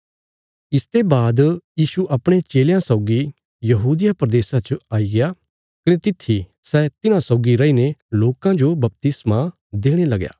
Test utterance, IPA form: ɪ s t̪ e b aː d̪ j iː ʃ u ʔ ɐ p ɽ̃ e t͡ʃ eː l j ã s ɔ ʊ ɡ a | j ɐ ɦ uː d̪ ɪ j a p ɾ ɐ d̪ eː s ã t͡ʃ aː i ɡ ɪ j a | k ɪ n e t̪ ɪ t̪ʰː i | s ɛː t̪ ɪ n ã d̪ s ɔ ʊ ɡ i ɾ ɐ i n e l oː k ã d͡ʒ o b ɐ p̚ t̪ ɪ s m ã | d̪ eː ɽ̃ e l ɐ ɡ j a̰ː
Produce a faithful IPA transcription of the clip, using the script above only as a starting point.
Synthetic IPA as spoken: ɪ s t̪ e b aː d̪ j iː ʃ u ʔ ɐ p ɽ̃ e t͡ʃ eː l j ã s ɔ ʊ ɡ i | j ɐ ɦ uː d̪ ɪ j a p ɾ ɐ d̪ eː s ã t͡ʃ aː i ɡ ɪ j a | k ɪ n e t̪ ɪ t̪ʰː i | s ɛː t̪ ɪ n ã s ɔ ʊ ɡ i ɾ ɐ i n e l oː k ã d͡ʒ o b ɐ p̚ t̪ ɪ s m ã | d̪ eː ɽ̃ e l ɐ ɡ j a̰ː